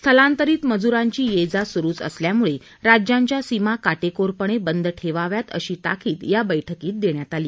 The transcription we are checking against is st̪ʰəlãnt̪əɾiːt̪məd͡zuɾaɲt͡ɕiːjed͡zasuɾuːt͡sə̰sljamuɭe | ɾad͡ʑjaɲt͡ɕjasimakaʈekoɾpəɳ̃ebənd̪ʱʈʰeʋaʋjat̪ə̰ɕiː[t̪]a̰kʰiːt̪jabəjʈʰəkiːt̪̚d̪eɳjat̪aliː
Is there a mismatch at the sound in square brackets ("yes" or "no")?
no